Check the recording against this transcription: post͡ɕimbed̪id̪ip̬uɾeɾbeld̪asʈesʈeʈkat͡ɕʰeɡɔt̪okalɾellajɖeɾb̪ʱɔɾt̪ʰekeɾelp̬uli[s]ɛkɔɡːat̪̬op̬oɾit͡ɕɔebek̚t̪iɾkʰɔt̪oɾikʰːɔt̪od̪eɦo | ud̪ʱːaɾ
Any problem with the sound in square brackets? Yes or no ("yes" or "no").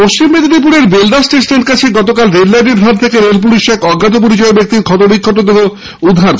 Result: yes